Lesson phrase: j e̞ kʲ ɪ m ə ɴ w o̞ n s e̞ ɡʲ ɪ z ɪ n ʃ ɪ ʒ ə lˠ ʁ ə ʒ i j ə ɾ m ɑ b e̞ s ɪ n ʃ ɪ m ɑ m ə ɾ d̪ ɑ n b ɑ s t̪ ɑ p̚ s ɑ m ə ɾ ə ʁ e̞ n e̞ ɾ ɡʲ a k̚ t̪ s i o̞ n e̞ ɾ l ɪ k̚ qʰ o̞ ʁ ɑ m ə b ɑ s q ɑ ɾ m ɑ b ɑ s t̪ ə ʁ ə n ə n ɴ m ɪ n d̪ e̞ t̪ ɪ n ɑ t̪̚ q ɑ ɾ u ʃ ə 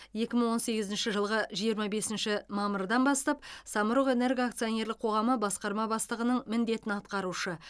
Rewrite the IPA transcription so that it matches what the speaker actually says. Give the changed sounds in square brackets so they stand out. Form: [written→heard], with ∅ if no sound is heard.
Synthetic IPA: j e̞ kʲ ɪ m ə ɴ w o̞ n s e̞ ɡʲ ɪ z ɪ n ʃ ɪ ʒ ə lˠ ʁ ə ʒ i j ə ɾ m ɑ b e̞ s ɪ n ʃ ɪ m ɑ m ə ɾ d̪ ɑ n b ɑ s t̪ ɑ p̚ s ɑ m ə ɾ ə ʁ e̞ n e̞ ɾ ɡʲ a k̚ t̪ s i o̞ n e̞ ɾ l ɪ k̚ qʰ o̞ ʁ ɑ m ə b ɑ s q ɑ ɾ m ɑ b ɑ s t̪ ə ʁ ə n ə [n→∅] ɴ m ɪ n d̪ e̞ t̪ ɪ n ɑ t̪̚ q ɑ ɾ u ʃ ə